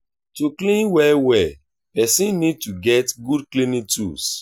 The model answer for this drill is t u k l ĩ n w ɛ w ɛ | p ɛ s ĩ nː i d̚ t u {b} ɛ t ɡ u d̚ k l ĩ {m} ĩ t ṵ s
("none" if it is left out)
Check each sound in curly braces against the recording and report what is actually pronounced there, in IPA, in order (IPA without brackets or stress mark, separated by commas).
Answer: ɡ, n